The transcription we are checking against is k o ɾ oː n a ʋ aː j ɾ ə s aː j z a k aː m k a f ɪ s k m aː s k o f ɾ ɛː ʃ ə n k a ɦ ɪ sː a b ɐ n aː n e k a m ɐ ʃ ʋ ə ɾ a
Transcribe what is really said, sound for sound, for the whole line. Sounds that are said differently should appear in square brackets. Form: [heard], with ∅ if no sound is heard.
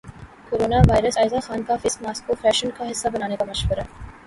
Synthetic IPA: k o ɾ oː n a ʋ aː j ɾ ə s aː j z a [x] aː [n] k a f ɪ s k m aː s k o f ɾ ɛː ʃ ə n k a ɦ ɪ sː a b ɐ n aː n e k a m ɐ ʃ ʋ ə ɾ a